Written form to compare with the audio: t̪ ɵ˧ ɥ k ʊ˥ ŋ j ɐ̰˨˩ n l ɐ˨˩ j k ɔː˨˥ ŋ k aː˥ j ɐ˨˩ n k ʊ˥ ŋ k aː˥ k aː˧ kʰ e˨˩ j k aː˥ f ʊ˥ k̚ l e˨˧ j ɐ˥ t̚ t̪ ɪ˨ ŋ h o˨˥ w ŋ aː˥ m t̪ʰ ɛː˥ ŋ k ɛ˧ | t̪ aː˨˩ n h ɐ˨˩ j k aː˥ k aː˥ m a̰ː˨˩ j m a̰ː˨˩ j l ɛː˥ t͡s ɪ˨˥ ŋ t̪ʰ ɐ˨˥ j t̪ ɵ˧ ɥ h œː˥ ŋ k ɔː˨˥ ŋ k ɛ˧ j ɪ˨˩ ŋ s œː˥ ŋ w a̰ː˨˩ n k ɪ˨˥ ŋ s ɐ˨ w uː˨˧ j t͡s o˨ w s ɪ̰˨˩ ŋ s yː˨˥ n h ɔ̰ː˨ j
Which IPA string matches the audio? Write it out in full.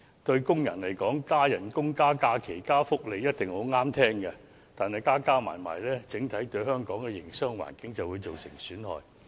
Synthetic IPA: t̪ ɵ˧ ɥ k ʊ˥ ŋ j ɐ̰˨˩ n l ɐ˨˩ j k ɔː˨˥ ŋ k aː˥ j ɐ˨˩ n k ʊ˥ ŋ k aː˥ k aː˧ kʰ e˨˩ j k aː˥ f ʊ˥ k̚ l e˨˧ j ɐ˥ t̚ t̪ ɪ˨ ŋ h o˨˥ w ŋ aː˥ m t̪ʰ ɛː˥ ŋ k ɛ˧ | t̪ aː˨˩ n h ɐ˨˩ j k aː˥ k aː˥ m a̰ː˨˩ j m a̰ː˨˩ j l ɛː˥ t͡s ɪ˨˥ ŋ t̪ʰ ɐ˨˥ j t̪ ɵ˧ ɥ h œː˥ ŋ k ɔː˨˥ ŋ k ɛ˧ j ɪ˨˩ ŋ s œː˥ ŋ w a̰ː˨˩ n k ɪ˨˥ ŋ t͡s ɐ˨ w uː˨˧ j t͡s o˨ w s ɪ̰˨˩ ŋ s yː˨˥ n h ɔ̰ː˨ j

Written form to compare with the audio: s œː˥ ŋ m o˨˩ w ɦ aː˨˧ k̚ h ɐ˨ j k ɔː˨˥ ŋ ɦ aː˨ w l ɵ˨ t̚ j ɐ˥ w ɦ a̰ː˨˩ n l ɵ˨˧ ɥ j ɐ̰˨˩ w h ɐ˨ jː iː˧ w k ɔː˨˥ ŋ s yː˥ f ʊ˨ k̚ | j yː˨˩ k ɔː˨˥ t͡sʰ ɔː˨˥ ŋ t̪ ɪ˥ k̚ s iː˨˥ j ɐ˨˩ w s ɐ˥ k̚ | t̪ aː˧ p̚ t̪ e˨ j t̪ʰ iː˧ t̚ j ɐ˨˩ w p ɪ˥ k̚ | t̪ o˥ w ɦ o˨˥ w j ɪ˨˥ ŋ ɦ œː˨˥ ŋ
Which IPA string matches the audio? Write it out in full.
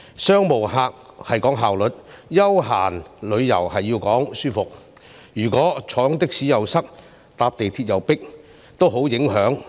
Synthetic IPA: s œː˥ ŋ m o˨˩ w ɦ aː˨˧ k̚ h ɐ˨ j k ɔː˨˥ ŋ ɦ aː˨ w l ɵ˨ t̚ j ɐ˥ w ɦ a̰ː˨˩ n l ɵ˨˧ ɥ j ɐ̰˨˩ w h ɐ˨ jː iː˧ w k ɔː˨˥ ŋ s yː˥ f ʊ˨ k̚ | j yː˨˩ k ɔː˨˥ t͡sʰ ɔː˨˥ ŋ t̪ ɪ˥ k̚ s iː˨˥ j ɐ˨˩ w s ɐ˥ k̚ | t̪ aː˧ p̚ t̪ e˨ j t̪ʰ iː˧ t̚ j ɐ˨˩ w p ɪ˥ k̚ | t̪ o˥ w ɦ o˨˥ w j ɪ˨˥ ŋ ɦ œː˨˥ ŋ

